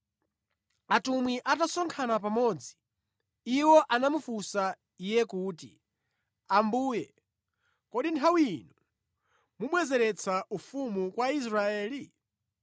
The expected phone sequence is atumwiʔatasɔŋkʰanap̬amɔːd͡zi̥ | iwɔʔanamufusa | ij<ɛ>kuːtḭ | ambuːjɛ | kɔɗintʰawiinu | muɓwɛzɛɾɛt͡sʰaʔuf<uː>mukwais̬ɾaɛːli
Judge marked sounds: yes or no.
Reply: yes, no

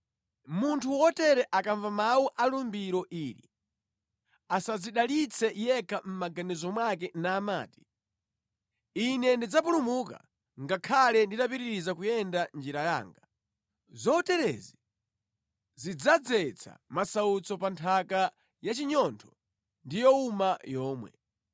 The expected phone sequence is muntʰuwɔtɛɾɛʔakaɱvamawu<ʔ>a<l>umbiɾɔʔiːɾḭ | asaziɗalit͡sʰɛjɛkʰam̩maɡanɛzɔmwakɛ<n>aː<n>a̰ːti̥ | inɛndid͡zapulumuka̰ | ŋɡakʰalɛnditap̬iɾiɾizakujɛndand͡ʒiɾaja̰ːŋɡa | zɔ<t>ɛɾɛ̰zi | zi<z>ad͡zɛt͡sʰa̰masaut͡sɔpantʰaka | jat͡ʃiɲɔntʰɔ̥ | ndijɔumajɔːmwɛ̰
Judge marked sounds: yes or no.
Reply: yes, yes, yes, no, yes, no

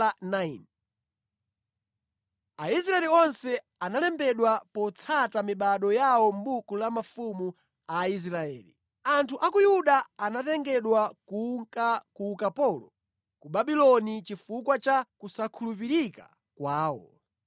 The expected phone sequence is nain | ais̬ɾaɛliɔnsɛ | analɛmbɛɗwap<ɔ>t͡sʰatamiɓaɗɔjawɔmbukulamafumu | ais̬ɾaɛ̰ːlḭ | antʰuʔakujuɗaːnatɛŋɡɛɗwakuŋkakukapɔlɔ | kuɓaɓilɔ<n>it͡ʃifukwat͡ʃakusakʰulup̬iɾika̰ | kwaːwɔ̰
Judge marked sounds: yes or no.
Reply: yes, yes

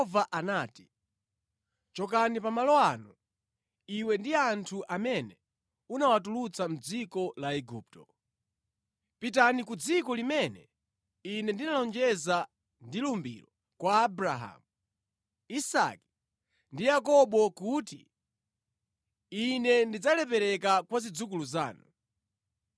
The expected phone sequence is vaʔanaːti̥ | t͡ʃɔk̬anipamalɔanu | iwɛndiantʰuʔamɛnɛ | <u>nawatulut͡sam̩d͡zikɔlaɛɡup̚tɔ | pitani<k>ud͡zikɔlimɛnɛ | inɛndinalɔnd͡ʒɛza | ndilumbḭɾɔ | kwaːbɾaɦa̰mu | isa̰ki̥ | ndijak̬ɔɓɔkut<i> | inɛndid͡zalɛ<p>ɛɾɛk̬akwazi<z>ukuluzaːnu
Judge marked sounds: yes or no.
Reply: yes, yes, yes, yes, no

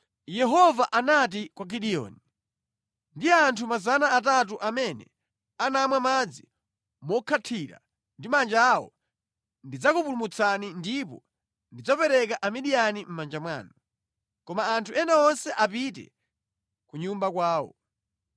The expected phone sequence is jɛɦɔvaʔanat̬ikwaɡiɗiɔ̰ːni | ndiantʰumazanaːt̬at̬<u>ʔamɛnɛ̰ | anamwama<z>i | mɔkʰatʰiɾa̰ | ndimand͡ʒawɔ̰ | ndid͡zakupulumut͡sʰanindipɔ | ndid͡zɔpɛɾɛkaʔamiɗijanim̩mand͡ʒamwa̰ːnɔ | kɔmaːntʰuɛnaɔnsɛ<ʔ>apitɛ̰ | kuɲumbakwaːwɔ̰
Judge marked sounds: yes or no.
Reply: yes, no, yes

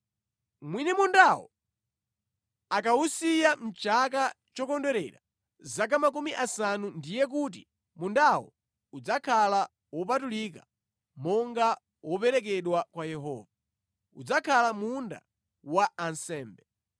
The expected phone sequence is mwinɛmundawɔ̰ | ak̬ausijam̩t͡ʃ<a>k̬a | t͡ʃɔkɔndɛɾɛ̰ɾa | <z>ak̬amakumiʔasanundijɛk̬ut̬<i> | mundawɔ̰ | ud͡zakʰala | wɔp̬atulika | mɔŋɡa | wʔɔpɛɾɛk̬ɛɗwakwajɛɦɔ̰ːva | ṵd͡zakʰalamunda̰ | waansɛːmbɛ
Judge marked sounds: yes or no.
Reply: yes, yes, yes

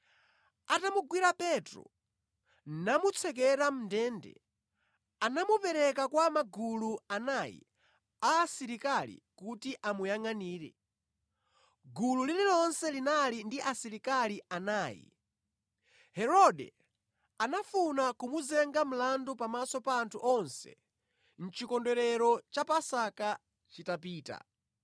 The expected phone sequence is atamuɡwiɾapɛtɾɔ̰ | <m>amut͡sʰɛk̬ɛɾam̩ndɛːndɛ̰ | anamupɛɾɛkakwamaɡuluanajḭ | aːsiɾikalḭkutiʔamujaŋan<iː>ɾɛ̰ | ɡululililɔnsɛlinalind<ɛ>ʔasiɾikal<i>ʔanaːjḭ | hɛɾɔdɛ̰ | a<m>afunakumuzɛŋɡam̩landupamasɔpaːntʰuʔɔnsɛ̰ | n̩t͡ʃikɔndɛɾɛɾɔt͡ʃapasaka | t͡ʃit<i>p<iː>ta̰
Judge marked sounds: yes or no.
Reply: no, yes, no, yes, no, no, yes

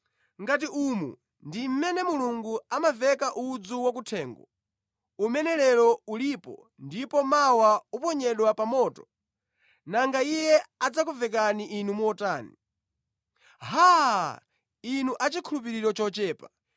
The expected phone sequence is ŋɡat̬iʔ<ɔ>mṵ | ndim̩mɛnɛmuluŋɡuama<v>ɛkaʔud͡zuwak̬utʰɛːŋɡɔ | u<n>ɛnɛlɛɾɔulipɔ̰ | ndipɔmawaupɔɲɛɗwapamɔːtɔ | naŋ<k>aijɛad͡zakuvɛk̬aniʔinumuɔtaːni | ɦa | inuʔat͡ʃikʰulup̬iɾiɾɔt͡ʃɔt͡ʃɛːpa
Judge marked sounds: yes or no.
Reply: no, yes, no, no

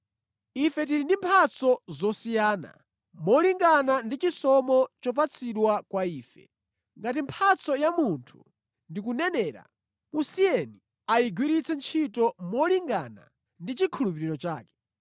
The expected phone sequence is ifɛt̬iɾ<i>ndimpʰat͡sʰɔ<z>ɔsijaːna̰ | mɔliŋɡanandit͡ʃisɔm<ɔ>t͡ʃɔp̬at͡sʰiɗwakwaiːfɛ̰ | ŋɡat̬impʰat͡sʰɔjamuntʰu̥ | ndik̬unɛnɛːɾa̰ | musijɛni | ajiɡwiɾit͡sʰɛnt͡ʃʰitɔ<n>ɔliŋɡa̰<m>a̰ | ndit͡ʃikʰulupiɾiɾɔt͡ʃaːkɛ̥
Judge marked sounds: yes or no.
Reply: yes, yes, yes, no, no

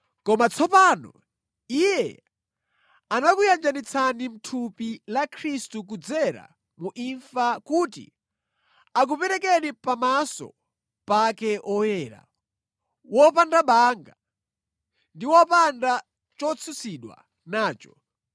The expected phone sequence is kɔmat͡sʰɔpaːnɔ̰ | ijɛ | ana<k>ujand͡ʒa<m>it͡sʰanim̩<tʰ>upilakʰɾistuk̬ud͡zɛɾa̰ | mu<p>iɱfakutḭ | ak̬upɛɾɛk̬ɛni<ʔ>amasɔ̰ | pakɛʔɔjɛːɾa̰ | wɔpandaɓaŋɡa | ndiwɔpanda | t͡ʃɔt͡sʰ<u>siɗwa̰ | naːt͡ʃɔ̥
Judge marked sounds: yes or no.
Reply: yes, no, yes, no, no, yes

